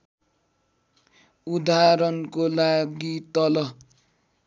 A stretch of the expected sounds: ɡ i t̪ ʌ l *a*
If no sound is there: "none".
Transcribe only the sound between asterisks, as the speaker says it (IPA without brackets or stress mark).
ʌ